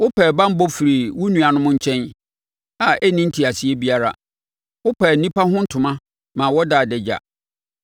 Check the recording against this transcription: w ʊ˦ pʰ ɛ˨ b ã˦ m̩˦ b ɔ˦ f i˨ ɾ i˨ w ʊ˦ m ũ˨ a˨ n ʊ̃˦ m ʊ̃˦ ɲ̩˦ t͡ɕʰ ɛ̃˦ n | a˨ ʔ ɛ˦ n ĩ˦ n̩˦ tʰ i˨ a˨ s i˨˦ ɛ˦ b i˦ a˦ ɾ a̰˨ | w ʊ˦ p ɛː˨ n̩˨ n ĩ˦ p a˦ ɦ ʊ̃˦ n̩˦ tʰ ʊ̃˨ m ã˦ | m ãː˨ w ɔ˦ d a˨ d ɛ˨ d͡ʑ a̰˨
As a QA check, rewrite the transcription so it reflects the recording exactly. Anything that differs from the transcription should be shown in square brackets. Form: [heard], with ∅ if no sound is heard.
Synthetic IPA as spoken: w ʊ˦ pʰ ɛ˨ b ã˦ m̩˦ b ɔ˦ f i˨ ɾ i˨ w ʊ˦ [n] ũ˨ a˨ n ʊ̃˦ m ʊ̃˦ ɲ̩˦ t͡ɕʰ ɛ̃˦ n | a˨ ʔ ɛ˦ n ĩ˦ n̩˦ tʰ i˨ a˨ s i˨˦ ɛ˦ b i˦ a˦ ɾ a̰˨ | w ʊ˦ p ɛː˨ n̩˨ n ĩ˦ p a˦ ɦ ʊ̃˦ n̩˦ tʰ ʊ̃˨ m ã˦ | m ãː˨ w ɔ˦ d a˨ d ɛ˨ d͡ʑ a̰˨

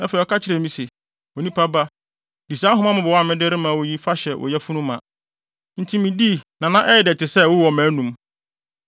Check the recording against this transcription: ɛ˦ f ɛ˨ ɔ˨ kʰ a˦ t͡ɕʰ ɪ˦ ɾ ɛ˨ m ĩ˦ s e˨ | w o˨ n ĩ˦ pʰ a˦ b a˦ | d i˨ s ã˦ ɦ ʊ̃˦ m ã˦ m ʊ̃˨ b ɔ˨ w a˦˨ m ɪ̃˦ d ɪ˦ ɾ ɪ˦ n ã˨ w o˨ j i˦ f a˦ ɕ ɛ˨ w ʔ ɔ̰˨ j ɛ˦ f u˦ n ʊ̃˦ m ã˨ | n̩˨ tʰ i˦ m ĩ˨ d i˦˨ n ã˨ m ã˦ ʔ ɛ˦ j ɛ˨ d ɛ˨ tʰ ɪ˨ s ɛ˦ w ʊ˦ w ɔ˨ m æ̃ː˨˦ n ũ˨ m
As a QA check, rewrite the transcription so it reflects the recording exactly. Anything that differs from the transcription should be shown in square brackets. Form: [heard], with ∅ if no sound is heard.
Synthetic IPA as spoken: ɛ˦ f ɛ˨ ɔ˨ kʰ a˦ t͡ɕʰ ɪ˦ ɾ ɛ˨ m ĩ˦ s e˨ | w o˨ n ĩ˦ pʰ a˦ b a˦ | d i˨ s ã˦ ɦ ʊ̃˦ m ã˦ m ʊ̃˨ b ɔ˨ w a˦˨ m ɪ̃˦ d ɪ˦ ɾ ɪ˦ [m] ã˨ w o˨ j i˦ f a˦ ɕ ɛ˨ w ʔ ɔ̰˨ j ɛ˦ f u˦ n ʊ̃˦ m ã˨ | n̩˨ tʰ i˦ m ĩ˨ d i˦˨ n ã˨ [n] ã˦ ʔ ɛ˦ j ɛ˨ d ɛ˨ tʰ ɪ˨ s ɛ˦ w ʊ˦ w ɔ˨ m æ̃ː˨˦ n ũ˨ m

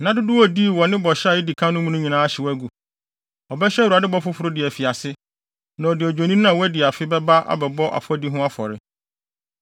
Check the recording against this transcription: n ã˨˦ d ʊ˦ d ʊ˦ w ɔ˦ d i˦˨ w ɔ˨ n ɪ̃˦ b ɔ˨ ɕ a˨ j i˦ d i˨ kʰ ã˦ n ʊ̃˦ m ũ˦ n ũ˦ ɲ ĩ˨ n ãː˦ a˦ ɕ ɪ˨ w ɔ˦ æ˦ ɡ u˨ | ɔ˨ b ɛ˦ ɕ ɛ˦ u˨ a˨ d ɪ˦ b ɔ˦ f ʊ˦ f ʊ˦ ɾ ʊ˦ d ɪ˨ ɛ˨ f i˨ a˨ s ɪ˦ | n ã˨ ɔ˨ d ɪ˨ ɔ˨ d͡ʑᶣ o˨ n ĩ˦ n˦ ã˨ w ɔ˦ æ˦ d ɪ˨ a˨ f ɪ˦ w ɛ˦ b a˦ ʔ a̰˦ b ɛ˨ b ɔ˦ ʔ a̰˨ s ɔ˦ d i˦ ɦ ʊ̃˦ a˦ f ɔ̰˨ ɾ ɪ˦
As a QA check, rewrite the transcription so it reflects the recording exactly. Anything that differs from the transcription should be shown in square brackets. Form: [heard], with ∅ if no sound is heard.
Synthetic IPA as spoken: n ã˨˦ d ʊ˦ d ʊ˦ w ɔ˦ d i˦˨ w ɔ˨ n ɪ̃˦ b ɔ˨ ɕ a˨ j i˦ d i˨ kʰ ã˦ n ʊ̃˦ m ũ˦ n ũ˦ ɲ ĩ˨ n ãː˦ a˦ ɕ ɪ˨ w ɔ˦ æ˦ ɡ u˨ | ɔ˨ b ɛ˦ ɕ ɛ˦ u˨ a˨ d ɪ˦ b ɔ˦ f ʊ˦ f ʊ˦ ɾ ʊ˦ d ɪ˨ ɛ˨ f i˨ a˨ s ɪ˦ | n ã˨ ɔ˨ d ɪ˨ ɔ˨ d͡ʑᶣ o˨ n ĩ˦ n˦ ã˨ w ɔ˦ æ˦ d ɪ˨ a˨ f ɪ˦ [b] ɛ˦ b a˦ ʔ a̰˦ b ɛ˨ b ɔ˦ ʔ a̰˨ [f] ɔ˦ d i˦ ɦ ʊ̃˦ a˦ f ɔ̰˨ ɾ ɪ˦

